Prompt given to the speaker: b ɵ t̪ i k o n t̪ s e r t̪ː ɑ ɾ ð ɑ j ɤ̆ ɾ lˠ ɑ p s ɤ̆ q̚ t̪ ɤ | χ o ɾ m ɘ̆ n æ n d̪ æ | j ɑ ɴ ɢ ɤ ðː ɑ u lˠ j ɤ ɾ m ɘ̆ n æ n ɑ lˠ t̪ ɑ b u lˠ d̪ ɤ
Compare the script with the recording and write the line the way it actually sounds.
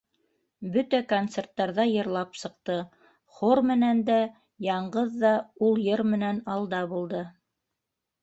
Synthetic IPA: b ɵ t̪ æ k o n t̪ s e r t̪ː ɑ ɾ ð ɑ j ɤ̆ ɾ lˠ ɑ p s ɤ̆ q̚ t̪ ɤ | χ o ɾ m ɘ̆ n æ n d̪ æ | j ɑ ɴ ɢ ɤ ðː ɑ u lˠ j ɤ ɾ m ɘ̆ n æ n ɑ lˠ d̪ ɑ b u lˠ d̪ ɤ